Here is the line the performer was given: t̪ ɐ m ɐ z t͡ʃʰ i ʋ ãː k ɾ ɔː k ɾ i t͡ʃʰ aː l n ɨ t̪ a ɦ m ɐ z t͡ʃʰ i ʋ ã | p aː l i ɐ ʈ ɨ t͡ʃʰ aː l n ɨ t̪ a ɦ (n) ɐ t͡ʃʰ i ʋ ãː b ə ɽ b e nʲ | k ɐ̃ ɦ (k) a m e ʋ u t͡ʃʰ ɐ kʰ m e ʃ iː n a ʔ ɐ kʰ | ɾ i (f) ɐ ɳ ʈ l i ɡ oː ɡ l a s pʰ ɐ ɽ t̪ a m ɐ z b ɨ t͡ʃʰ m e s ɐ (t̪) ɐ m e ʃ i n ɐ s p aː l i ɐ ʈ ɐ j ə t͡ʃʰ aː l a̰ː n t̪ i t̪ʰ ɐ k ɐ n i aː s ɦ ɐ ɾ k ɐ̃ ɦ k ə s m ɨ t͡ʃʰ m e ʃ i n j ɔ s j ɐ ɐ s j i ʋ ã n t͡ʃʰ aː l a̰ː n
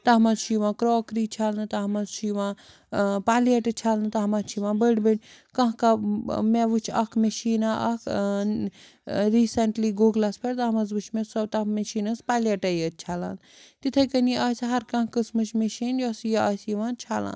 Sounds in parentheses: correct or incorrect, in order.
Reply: incorrect, correct, incorrect, correct

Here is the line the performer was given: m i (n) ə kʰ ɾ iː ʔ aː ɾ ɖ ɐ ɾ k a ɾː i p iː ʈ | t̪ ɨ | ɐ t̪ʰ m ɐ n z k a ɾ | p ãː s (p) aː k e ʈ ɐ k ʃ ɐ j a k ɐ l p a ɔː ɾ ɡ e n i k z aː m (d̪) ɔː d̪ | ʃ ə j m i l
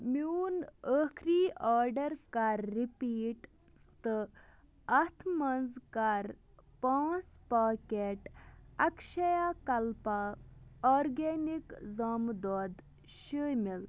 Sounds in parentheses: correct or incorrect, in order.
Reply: correct, correct, correct

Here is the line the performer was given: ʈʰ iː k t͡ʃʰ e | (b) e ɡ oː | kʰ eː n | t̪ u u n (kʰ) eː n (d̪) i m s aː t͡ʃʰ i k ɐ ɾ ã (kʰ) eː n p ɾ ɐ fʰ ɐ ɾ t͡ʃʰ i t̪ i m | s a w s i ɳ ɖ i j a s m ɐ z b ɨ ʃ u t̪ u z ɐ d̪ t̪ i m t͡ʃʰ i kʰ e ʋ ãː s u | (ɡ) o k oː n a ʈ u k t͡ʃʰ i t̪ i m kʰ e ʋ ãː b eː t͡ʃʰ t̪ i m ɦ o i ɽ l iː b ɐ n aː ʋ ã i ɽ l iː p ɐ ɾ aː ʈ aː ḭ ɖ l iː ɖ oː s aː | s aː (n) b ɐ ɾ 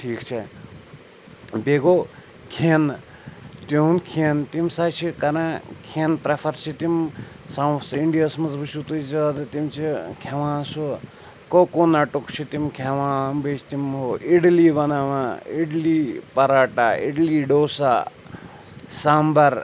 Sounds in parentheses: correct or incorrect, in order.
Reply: correct, correct, incorrect, correct, incorrect, incorrect

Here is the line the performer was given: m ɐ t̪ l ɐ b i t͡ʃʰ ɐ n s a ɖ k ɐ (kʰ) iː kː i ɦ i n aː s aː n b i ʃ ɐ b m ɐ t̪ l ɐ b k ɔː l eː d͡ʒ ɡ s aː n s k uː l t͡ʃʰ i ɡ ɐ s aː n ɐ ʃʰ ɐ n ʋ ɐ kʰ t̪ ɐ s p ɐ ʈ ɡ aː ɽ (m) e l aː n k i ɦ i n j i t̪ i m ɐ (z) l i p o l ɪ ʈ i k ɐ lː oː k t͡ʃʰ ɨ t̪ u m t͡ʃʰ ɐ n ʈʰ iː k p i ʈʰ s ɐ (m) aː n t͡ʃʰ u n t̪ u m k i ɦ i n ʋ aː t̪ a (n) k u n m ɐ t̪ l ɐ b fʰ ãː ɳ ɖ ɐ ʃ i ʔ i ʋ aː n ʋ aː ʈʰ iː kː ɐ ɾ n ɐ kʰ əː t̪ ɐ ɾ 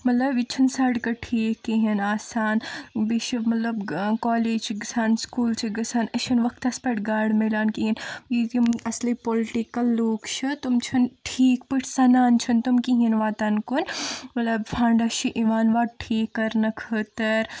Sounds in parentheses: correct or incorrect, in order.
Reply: incorrect, correct, incorrect, incorrect, correct

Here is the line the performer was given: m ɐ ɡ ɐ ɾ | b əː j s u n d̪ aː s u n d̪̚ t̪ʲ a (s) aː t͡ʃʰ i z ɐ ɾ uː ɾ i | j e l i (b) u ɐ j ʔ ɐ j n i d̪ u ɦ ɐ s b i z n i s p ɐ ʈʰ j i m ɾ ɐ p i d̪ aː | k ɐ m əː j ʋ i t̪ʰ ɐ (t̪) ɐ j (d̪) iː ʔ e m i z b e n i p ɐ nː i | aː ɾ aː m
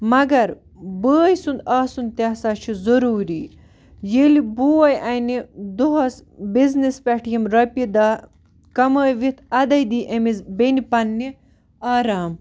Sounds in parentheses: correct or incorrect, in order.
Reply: correct, correct, incorrect, correct

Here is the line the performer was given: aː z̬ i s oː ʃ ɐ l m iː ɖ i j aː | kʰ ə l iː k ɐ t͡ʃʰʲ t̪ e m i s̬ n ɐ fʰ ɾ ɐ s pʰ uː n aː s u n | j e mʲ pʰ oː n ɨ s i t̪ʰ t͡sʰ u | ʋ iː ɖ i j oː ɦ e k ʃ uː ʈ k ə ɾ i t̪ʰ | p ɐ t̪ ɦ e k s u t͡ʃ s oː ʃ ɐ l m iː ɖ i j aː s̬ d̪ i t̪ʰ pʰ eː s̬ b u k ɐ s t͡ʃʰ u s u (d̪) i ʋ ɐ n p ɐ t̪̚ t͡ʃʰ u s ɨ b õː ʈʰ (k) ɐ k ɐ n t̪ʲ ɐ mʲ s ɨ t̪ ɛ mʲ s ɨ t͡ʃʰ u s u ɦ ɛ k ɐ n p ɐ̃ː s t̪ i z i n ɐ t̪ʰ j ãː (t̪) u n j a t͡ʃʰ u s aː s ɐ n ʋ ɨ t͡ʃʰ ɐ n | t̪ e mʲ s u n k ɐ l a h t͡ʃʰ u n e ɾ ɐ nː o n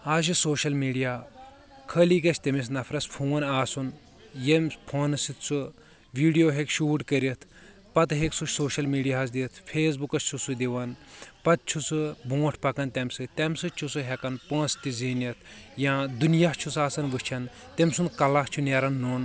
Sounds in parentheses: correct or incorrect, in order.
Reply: correct, incorrect, incorrect

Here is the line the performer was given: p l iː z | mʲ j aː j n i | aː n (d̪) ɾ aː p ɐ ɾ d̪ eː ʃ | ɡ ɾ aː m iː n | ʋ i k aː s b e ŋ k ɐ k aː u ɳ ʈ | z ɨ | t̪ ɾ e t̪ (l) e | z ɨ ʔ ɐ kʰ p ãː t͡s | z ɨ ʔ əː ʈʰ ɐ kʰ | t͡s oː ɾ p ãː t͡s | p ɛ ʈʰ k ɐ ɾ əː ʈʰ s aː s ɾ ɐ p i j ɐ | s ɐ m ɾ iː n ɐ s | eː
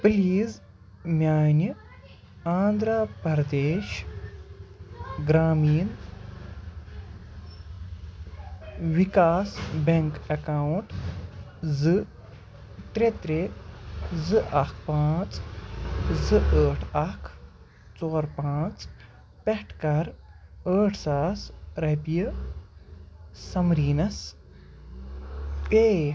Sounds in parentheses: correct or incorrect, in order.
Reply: correct, incorrect

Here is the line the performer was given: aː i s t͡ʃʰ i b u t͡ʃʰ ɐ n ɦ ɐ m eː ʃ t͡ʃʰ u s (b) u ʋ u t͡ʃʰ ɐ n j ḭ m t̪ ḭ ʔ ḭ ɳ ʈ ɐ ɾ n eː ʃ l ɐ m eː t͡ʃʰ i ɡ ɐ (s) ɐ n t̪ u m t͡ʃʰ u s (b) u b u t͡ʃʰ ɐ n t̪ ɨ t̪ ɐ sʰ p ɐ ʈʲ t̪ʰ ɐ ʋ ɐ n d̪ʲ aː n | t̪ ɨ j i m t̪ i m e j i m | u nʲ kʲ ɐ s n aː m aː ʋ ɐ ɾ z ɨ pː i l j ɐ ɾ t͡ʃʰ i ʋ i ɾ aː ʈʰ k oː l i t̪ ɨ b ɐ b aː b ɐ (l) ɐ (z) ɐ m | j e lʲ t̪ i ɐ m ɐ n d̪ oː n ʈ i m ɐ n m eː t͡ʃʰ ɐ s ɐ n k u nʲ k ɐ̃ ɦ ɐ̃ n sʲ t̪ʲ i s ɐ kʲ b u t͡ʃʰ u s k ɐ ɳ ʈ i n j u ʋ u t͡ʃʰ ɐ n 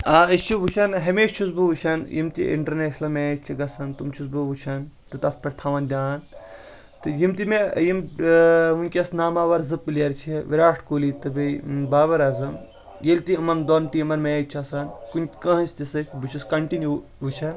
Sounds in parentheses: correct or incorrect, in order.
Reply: correct, correct, correct, incorrect, correct

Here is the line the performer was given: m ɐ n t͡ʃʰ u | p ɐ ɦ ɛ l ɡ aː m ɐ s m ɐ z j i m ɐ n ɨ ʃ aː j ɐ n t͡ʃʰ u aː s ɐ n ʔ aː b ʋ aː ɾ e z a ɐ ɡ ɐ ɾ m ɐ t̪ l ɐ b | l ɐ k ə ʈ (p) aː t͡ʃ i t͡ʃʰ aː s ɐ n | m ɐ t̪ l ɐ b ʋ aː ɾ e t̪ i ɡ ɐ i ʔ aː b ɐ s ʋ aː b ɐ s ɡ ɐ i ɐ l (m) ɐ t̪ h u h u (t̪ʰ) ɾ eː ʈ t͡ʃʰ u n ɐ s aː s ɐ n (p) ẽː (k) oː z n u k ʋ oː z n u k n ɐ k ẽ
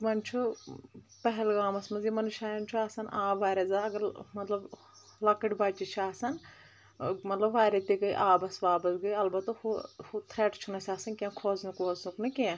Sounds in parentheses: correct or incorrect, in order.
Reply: incorrect, incorrect, correct, incorrect, incorrect

